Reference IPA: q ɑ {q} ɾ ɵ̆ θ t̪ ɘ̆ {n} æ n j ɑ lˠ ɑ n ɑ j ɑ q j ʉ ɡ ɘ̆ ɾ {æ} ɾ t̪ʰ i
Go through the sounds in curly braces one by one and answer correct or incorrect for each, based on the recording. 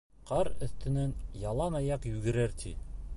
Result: incorrect: none, correct, correct

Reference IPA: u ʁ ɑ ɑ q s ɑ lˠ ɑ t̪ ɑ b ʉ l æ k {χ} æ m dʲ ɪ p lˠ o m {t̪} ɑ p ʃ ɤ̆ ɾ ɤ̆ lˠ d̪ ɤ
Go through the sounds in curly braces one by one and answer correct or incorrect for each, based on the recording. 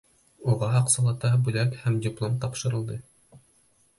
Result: incorrect: h, correct

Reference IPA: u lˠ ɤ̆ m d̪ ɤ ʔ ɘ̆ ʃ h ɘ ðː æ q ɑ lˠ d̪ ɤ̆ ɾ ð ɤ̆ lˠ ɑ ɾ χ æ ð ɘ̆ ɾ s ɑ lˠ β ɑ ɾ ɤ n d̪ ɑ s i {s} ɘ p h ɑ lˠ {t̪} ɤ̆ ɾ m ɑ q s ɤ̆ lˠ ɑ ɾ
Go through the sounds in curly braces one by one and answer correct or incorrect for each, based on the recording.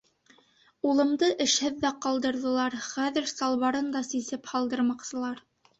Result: correct, incorrect: d̪

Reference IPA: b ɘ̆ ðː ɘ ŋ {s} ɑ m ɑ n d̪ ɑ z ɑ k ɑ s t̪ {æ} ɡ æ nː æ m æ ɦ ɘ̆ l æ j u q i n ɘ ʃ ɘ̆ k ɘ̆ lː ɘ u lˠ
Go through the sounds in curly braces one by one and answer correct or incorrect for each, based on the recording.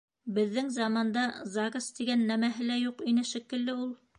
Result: incorrect: z, incorrect: i

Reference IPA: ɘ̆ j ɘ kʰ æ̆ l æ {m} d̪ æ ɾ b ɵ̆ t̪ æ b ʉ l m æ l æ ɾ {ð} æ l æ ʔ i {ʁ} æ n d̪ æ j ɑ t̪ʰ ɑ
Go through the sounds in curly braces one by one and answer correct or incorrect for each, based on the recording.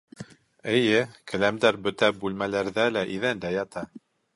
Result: correct, correct, incorrect: ð

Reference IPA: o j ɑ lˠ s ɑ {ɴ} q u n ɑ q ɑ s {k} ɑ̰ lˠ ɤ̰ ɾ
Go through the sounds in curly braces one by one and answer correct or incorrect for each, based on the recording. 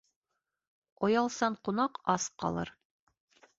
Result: correct, incorrect: q

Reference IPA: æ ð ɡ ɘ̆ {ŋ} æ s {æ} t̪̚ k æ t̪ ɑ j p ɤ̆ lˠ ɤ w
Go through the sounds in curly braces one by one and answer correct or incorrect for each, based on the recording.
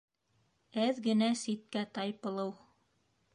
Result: incorrect: n, incorrect: i

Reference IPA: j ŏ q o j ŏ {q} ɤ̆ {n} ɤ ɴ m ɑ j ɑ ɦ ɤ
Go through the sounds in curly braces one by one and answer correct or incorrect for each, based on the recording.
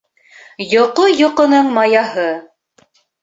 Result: correct, correct

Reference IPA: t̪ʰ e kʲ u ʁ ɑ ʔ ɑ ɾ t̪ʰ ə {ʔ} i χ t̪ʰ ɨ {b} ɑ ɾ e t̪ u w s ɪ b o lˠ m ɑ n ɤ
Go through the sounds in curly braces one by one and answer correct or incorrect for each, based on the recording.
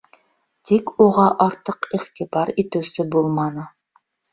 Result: incorrect: q, correct

